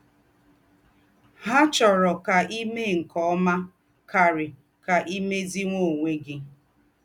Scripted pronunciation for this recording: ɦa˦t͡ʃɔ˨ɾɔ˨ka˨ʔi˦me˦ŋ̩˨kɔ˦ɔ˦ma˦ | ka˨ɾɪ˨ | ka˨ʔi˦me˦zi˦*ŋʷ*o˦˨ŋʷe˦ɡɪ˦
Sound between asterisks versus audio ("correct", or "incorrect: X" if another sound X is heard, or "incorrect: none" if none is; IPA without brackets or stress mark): correct